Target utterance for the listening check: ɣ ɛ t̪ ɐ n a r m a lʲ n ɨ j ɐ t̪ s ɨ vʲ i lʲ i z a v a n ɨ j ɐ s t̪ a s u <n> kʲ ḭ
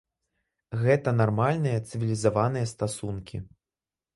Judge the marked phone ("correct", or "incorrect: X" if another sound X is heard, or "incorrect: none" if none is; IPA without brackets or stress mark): correct